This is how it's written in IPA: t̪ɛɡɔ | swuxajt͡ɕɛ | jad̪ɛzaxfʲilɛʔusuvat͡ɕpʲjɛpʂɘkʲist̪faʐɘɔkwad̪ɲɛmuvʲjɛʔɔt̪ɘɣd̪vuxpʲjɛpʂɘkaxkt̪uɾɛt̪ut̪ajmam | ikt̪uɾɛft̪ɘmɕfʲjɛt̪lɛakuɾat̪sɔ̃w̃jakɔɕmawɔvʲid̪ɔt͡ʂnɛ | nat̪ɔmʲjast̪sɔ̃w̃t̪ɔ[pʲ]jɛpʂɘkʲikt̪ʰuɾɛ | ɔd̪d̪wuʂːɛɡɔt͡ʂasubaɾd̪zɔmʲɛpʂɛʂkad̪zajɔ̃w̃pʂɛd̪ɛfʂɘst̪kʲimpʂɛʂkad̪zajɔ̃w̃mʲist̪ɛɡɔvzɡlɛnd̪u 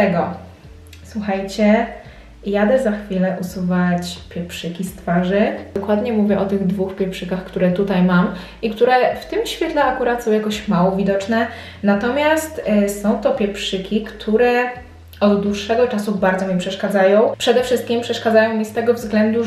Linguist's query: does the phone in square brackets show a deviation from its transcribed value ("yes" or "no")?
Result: no